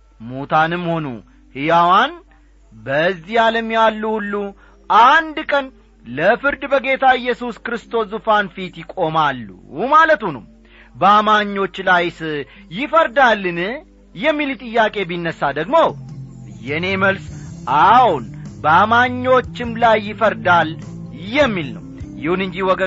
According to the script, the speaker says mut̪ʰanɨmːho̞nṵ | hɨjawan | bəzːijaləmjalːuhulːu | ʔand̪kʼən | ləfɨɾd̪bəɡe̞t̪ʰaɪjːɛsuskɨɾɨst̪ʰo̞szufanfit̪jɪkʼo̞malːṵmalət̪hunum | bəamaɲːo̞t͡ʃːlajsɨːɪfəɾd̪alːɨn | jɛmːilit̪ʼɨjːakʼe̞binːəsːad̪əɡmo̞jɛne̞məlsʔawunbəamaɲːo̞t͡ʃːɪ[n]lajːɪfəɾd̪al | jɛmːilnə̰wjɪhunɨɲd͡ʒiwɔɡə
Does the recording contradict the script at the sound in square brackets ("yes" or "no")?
yes